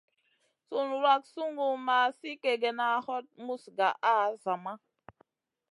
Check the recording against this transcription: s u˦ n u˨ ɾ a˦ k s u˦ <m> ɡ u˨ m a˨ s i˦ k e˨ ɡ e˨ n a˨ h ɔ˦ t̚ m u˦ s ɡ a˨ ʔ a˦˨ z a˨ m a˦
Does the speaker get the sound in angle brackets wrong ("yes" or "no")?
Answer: yes